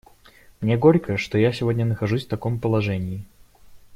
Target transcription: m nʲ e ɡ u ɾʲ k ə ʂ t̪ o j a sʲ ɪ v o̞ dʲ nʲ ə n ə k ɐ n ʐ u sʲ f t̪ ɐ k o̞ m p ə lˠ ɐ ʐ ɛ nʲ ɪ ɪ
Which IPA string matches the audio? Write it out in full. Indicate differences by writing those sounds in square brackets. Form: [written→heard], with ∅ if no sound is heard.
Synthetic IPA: m nʲ e ɡ [u→o] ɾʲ k ə ʂ t̪ o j a sʲ ɪ v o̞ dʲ nʲ ə n ə [k→x] ɐ [n→∅] ʐ u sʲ f t̪ ɐ k o̞ m p ə lˠ ɐ ʐ ɛ nʲ ɪ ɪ